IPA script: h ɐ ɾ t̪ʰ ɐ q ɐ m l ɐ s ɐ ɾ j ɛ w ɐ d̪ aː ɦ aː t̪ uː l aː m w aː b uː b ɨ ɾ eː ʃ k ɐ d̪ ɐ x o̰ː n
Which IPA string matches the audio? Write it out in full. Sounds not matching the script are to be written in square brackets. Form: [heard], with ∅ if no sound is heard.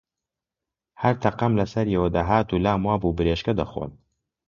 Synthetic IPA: h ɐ ɾ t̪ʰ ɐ q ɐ m l ɐ s ɐ ɾ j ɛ w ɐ d̪ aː ɦ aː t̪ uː l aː m w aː b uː b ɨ ɾ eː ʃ k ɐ d̪ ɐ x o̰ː n